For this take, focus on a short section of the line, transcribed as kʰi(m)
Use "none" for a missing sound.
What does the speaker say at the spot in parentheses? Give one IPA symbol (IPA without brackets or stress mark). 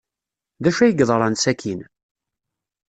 n